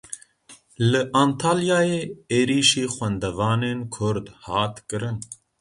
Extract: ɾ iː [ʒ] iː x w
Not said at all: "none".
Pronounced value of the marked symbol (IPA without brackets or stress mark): ʃ